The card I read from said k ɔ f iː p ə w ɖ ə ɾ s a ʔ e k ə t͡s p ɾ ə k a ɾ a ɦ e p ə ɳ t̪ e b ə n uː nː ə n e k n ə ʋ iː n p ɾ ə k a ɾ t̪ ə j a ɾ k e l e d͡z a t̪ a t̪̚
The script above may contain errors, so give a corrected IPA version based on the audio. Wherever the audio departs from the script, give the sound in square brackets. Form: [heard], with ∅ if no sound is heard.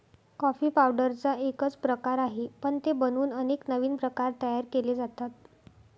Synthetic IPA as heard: k ɔ f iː p [a] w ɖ ə ɾ [t͡s] a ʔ e k ə t͡s p ɾ ə k a ɾ a ɦ e p ə ɳ t̪ e b ə n uː [n] ə n e k n ə ʋ iː n p ɾ ə k a ɾ t̪ ə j a ɾ k e l e d͡z a t̪ a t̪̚